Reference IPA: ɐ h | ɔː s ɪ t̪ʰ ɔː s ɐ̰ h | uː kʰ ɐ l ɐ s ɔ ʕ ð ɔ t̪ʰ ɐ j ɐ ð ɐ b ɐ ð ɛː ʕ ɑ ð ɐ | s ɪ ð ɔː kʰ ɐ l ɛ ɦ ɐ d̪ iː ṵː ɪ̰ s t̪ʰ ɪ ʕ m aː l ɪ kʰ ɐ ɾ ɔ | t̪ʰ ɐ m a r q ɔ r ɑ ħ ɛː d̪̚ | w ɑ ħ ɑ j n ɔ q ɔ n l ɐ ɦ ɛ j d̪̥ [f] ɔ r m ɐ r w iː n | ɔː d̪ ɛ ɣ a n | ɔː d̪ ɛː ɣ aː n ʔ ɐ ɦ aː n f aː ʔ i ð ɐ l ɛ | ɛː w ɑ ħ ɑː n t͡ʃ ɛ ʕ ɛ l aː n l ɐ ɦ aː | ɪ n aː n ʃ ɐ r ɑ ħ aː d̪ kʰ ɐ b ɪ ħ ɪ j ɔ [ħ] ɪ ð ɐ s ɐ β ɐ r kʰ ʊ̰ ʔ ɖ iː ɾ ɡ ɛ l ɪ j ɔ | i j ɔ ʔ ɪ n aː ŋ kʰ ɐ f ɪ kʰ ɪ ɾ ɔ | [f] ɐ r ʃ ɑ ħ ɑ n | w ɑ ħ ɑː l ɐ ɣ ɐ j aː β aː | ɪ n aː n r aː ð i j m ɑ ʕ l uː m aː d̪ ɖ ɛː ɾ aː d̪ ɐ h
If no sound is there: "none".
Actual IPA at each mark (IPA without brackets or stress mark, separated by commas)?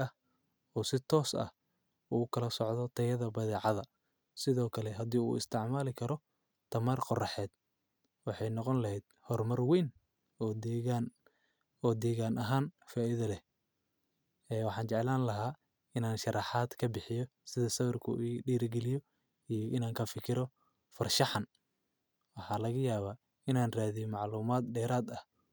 h, s, f